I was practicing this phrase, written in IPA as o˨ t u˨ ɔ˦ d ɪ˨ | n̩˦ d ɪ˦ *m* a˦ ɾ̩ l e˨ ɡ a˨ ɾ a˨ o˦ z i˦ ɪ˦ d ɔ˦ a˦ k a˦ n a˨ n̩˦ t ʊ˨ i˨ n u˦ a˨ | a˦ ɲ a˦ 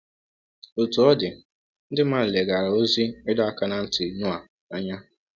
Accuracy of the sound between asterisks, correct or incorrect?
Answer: correct